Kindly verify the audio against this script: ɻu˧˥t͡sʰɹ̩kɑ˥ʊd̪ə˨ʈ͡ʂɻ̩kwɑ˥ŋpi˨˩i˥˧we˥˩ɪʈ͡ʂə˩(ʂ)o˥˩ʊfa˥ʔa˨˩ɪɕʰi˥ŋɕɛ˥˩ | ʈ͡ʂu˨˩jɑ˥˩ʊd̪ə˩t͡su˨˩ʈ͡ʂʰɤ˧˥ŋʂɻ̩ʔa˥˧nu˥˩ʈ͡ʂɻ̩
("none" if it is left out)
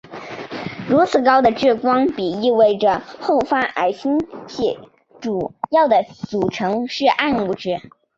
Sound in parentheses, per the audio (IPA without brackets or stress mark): x